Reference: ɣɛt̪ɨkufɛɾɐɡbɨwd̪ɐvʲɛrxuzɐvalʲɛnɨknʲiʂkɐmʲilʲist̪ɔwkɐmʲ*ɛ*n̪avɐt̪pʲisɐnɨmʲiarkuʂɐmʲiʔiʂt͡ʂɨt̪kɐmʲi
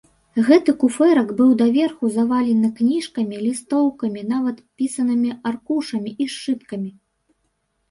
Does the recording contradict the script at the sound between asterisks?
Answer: yes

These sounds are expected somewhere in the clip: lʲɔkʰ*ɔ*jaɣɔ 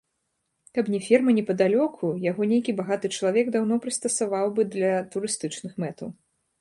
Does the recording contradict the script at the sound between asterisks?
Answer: yes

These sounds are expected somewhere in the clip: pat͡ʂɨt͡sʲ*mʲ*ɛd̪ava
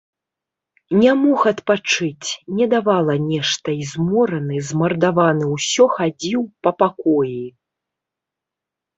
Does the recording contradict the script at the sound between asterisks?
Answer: yes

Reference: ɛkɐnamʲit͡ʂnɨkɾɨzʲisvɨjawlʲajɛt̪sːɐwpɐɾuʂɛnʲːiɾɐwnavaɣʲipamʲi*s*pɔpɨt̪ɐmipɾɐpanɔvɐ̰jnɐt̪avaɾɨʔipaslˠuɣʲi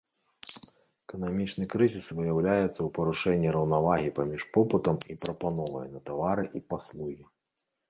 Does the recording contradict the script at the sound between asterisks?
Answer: yes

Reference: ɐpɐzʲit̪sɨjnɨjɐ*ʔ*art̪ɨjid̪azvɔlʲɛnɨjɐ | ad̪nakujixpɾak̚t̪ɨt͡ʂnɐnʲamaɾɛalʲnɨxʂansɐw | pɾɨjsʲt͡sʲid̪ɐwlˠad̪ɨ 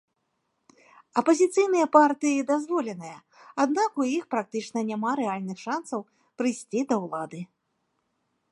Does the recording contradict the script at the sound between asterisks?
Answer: yes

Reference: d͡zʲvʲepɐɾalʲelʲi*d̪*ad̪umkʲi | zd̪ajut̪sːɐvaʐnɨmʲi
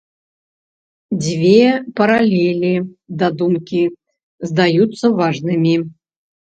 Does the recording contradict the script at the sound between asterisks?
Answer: no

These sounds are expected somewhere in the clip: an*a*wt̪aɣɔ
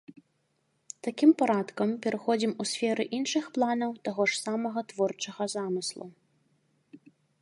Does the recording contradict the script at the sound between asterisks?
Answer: yes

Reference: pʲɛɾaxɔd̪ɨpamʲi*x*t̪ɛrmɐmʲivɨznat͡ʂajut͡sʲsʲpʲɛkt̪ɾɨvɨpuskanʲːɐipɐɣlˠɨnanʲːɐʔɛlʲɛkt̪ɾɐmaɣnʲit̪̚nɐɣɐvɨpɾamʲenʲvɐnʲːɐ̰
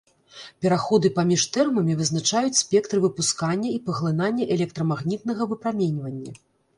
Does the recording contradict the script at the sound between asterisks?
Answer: yes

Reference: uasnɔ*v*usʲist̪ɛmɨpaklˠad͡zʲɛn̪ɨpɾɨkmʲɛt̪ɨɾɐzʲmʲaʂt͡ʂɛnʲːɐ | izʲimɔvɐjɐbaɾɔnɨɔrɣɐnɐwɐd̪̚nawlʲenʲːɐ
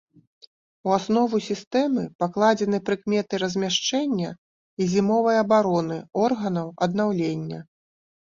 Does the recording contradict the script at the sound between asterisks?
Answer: no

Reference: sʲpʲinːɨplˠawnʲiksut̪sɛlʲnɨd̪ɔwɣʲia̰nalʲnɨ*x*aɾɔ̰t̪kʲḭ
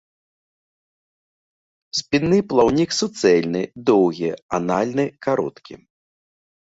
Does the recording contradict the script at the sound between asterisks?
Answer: yes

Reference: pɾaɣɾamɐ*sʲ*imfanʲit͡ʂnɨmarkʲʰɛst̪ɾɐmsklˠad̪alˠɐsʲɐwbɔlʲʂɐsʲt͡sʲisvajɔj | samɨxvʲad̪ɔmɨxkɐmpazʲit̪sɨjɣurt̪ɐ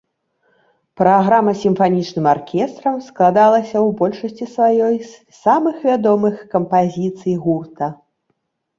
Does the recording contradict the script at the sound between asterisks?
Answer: no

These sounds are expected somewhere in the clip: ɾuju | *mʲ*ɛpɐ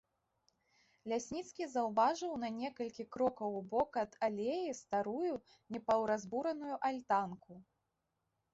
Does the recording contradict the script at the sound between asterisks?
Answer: yes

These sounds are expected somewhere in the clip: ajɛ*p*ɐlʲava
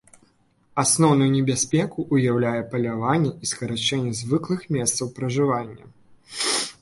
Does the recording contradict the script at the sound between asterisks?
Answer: no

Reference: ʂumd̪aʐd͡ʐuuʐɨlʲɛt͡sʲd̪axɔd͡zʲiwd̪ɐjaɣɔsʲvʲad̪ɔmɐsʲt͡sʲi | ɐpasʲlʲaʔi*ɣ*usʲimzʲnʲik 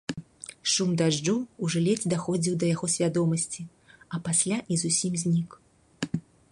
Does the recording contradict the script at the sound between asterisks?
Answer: yes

